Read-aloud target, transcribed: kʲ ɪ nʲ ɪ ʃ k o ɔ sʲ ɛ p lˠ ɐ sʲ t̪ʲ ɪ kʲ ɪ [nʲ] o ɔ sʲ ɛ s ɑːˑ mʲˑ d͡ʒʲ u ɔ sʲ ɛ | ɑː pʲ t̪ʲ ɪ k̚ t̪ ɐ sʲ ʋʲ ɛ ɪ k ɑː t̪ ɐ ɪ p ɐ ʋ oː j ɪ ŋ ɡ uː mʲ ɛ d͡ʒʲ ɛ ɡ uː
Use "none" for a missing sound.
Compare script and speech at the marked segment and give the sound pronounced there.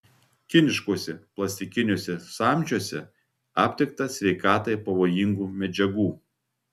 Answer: nʲ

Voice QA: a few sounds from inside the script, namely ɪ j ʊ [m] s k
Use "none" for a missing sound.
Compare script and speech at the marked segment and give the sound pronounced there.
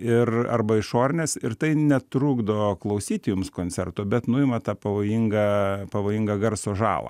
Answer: m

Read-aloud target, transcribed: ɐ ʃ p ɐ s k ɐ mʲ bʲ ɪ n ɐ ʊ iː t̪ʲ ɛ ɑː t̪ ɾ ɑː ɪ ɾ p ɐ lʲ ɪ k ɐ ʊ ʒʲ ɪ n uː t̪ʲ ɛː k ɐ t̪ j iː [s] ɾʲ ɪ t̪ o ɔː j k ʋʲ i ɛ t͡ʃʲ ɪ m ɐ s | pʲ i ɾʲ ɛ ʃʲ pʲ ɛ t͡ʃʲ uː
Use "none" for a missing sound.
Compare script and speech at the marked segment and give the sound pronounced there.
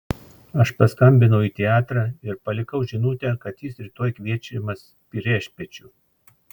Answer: s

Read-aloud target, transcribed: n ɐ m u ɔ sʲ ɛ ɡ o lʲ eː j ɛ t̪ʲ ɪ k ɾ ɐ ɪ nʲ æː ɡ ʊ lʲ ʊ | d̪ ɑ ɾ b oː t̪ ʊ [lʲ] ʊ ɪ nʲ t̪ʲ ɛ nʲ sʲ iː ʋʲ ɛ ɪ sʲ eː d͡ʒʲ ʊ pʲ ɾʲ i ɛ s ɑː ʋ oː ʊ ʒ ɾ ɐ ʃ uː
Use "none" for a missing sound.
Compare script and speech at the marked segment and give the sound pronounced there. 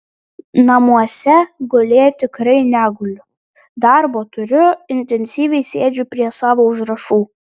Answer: ɾʲ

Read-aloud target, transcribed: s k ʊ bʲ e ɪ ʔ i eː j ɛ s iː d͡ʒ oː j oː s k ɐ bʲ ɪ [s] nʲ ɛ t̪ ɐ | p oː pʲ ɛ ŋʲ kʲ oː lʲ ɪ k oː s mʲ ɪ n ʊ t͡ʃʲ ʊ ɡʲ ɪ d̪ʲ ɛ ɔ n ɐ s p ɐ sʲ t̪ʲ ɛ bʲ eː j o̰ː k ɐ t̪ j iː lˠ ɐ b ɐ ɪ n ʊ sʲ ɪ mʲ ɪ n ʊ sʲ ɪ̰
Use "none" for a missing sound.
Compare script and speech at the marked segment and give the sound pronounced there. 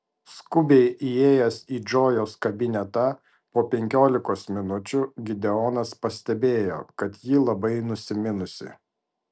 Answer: none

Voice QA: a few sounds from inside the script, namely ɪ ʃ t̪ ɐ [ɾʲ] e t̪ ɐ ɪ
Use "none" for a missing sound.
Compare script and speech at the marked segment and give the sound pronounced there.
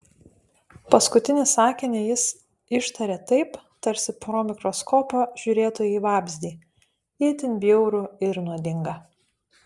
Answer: ɾʲ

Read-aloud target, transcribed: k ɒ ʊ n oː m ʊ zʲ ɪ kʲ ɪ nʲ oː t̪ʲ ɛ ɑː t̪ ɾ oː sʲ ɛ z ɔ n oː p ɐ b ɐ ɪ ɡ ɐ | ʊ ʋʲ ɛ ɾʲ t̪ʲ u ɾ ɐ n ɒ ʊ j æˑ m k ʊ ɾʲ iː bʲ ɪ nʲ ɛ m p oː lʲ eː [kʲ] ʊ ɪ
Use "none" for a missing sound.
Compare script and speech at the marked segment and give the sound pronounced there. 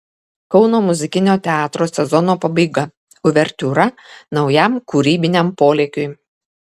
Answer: kʲ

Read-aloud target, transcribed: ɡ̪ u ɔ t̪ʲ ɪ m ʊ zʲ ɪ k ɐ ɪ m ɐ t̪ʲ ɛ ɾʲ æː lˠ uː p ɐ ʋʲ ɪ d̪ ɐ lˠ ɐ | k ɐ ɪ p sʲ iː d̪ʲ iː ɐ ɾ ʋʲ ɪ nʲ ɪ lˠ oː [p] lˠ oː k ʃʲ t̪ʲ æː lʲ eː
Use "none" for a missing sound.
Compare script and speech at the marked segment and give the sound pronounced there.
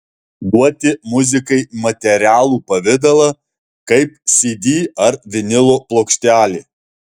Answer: p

